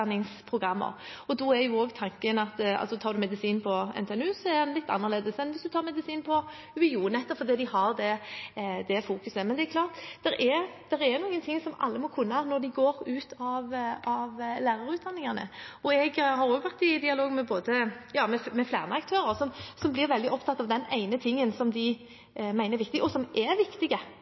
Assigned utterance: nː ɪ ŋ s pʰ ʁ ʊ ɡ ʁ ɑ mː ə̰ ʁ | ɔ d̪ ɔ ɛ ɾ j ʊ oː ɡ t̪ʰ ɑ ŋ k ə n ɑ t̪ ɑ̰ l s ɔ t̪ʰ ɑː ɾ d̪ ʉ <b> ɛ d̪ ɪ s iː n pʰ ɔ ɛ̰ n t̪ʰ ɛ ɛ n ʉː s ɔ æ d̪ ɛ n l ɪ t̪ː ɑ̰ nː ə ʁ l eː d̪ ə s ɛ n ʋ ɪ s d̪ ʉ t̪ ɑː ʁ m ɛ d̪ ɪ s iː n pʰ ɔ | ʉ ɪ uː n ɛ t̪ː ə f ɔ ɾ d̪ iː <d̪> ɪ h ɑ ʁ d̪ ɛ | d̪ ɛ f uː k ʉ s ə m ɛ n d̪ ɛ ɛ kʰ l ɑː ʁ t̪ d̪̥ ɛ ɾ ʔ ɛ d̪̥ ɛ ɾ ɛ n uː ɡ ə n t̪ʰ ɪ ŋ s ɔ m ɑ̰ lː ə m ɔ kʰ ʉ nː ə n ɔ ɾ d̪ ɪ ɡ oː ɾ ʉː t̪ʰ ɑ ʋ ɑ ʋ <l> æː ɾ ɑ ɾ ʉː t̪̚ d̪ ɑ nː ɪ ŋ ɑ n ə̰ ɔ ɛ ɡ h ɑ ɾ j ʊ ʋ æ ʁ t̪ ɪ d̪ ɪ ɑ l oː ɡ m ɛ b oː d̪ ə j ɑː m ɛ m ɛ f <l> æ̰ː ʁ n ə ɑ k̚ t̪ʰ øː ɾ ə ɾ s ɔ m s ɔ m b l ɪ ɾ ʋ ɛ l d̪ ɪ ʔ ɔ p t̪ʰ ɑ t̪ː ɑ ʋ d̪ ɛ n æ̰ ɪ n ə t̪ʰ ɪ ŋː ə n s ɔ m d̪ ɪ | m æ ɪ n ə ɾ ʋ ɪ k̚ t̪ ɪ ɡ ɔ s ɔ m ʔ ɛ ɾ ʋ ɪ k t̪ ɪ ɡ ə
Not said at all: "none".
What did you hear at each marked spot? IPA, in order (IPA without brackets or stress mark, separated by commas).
m, d̪, l, l